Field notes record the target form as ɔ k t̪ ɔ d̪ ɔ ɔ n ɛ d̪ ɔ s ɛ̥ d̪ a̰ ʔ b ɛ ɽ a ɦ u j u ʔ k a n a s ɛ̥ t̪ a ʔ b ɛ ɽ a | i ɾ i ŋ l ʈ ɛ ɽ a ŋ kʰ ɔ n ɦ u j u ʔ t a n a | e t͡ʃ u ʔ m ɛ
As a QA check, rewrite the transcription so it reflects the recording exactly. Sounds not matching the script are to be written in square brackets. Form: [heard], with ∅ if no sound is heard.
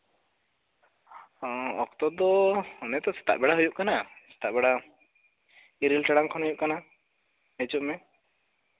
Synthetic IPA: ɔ k t̪ ɔ d̪ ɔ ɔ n ɛ [t̪] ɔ s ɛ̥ [t̪] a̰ ʔ b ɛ ɽ a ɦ u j u ʔ k a n a s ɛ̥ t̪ a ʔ b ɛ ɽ a | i ɾ i [∅] l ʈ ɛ ɽ a ŋ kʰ ɔ n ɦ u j u ʔ [k] a n a | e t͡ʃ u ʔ m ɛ